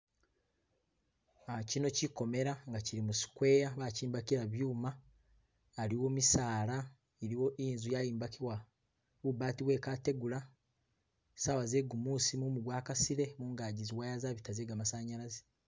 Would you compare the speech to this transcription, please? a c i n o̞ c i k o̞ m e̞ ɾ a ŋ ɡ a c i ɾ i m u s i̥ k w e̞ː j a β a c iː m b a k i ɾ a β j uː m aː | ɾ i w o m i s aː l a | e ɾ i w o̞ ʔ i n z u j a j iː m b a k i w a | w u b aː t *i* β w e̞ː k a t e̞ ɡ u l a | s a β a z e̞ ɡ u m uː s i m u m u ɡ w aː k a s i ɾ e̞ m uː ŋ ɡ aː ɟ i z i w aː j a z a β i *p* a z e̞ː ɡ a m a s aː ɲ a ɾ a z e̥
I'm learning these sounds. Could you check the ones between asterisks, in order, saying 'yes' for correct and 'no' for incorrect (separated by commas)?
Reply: yes, no